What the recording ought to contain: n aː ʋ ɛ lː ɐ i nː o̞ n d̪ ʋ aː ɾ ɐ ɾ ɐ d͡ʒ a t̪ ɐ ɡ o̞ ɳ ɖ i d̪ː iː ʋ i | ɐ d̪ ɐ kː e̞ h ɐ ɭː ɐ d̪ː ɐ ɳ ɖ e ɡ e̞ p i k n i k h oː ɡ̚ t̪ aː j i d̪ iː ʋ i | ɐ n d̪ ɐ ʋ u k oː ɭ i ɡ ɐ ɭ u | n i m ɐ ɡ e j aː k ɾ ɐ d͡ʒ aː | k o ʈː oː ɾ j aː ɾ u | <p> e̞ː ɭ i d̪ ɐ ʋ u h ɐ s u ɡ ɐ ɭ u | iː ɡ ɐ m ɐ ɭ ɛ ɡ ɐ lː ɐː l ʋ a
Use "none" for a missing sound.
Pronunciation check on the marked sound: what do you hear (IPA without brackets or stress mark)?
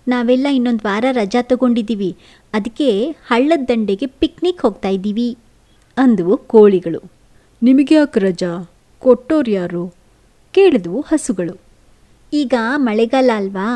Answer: k